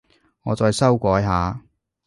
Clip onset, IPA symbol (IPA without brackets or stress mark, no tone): ŋ